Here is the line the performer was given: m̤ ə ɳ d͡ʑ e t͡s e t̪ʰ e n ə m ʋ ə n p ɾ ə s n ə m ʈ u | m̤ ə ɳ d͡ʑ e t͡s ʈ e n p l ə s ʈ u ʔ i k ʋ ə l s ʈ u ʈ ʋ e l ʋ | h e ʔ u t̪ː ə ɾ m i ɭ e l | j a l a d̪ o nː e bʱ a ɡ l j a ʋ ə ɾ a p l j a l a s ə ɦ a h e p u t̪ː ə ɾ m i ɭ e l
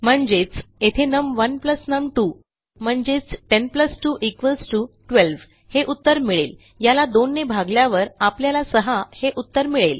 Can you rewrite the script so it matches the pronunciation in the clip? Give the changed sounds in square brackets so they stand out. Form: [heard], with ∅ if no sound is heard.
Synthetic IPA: m̤ ə ɳ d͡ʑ e t͡s e t̪ʰ e n ə m ʋ ə n p [l] ə s n ə m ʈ u | m̤ ə ɳ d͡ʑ e t͡s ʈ e n p l ə s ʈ u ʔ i k ʋ ə l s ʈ u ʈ ʋ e l ʋ | h e ʔ u t̪ː ə ɾ m i ɭ e l | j a l a d̪ o nː e bʱ a ɡ l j a ʋ ə ɾ a p l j a l a s ə ɦ a h e [ʔ] u t̪ː ə ɾ m i ɭ e l